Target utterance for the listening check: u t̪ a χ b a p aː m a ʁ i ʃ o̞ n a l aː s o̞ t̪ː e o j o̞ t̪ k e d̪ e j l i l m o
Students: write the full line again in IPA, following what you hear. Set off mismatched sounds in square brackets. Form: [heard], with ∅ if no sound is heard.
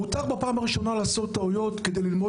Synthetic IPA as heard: u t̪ a χ b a p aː m a ʁ i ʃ o̞ n a l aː s o̞ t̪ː [a] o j o̞ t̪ k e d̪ e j l i l m o